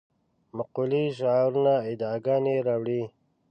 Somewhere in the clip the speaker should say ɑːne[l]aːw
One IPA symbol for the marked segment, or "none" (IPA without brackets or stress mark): ɾ